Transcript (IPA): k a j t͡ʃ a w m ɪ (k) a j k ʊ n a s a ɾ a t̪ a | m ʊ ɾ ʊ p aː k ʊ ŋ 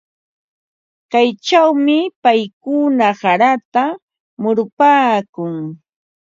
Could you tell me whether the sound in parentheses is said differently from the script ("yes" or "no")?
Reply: yes